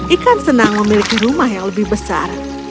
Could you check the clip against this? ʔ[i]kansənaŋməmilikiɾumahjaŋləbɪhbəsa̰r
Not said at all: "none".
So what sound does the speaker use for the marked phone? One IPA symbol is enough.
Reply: i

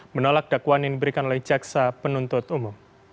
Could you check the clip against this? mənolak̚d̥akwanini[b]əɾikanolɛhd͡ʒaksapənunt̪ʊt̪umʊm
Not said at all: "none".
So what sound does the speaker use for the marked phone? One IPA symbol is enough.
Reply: b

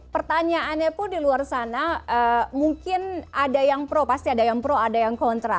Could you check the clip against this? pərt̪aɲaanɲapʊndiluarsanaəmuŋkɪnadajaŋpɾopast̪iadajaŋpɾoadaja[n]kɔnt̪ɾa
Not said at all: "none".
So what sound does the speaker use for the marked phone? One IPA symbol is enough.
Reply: ŋ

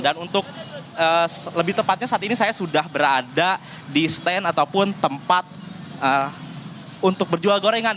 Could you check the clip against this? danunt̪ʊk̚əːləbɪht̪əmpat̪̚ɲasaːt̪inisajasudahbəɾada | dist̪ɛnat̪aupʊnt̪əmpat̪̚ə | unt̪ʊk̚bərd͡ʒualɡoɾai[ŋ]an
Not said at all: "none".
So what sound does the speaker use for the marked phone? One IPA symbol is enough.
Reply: ŋ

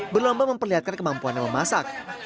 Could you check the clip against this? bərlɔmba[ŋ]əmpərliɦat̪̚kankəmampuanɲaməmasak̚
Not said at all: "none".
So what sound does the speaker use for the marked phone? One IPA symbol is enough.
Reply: m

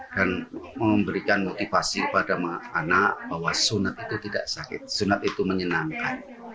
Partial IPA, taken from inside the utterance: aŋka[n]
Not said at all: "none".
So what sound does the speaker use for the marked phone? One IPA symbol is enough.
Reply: n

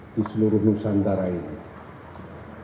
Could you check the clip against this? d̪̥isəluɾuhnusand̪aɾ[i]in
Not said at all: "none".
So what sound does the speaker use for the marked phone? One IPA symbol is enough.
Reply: a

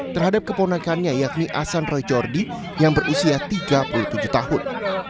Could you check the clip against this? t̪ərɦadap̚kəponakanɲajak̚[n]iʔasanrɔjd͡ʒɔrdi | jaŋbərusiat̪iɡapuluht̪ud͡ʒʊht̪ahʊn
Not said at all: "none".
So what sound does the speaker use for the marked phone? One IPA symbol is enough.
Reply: n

